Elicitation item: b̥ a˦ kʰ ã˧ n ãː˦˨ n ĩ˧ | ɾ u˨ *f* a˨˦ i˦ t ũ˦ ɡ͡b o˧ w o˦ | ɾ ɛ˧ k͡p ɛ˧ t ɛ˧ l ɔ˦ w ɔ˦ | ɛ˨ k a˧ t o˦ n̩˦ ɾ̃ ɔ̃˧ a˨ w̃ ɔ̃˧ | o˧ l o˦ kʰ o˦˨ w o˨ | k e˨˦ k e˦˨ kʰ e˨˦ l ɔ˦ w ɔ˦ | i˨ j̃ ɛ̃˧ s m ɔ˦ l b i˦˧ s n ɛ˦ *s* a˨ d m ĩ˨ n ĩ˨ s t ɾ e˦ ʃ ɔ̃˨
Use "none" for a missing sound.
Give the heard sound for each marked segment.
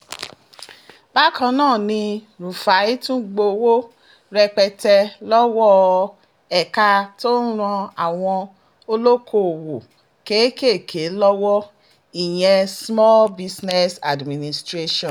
f, s

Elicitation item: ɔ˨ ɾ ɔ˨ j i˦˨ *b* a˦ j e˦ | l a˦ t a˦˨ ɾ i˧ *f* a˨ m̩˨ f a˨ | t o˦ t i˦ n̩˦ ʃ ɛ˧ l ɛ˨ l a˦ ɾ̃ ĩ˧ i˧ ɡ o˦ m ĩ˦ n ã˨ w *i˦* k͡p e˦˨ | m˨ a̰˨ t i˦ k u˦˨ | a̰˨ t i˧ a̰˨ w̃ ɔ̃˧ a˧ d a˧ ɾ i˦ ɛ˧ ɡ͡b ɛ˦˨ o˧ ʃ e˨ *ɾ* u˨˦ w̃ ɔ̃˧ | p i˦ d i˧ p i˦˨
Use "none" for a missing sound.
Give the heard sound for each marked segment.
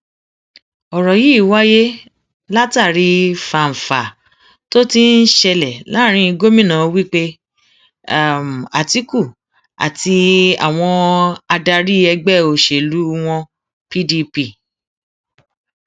w, f, i˦, l

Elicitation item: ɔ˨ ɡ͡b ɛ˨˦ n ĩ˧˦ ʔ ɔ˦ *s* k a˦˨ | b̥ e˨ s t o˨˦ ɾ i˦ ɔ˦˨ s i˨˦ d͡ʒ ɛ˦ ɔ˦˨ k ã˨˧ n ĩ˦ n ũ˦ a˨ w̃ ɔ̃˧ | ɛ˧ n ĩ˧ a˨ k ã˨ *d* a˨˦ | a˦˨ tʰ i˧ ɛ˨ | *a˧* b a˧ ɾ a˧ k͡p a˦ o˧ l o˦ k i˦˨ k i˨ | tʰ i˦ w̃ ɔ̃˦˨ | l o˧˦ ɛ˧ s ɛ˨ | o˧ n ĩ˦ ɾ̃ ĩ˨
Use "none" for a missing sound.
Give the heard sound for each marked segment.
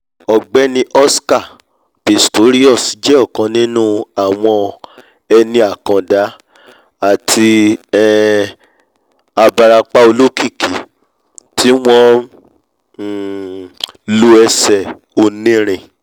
s, d, a˧

